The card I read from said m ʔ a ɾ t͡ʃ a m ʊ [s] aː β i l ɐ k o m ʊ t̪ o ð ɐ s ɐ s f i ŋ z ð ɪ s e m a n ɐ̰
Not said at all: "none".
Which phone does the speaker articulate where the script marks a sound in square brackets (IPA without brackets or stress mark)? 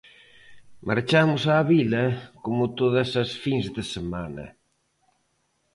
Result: s